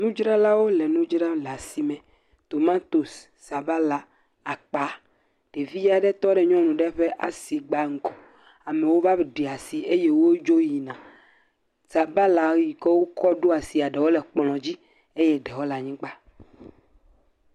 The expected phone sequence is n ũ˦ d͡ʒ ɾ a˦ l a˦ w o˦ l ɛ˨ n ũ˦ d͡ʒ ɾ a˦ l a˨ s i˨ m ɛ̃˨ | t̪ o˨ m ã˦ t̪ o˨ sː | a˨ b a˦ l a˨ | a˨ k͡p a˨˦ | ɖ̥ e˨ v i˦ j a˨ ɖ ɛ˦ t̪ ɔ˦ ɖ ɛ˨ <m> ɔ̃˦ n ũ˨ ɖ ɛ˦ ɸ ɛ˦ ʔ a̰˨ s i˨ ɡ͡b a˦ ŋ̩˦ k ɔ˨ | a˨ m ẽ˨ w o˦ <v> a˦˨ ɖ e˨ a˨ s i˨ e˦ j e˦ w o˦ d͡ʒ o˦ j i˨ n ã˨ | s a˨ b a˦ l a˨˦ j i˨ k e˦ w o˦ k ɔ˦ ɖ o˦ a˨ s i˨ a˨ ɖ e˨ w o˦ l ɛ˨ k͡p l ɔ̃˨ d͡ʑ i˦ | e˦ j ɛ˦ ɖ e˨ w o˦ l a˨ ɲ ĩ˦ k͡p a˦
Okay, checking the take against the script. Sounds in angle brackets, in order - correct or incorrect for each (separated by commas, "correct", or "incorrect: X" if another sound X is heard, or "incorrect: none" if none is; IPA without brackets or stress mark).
incorrect: ɲ, correct